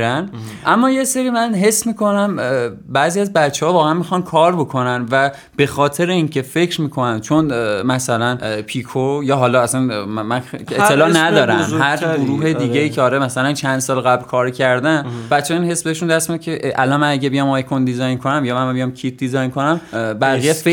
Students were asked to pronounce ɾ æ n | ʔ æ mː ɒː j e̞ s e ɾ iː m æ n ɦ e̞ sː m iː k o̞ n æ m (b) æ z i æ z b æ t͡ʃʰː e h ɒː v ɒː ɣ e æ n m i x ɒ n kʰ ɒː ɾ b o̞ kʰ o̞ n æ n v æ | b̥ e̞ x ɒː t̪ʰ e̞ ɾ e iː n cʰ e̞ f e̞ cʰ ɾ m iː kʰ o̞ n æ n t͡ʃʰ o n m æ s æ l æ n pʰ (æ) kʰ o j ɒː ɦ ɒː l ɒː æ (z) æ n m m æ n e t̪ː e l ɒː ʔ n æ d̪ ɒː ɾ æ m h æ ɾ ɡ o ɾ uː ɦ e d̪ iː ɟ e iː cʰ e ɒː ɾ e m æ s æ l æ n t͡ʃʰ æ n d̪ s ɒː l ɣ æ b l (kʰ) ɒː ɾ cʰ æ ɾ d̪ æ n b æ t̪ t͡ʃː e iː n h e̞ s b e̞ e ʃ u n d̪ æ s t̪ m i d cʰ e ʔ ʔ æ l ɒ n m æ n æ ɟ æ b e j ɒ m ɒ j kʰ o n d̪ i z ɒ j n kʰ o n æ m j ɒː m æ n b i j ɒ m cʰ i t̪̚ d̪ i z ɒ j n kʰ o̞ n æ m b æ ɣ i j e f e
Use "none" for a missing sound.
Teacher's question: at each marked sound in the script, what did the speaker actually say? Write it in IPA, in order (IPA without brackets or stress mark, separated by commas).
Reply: b, i, s, kʰ